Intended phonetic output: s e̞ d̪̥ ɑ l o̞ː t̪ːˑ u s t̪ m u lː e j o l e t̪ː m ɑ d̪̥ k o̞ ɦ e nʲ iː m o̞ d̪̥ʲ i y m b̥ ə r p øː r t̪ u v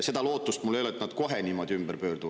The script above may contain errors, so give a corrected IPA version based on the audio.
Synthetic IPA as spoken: s e̞ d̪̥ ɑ l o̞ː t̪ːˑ u s t̪ m u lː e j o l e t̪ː n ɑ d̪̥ k o̞ ɦ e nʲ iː m o̞ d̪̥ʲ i y m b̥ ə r p øː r d̪ u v